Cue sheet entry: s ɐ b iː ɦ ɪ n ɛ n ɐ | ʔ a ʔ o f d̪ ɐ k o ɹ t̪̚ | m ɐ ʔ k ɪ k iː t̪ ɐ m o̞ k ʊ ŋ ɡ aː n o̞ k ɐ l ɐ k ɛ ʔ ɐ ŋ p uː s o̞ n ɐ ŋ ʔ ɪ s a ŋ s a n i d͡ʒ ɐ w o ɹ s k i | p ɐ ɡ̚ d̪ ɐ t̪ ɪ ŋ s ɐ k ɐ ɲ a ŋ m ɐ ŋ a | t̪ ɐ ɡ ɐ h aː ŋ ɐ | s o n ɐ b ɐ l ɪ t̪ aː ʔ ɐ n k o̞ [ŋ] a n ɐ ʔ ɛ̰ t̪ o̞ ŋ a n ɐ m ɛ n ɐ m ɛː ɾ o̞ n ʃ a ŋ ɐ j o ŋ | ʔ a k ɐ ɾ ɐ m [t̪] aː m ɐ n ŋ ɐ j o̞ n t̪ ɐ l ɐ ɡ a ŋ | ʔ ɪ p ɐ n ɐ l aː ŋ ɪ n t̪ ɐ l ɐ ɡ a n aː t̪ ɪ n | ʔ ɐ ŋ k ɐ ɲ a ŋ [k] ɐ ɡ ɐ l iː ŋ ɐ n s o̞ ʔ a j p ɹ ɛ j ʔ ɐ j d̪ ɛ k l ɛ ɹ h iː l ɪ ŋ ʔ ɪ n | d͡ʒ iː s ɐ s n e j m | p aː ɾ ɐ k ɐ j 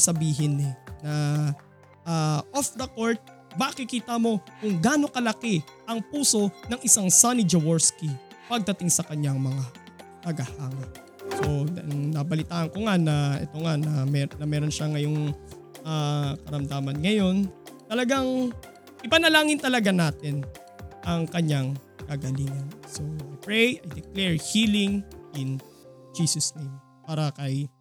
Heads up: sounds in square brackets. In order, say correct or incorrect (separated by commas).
correct, incorrect, correct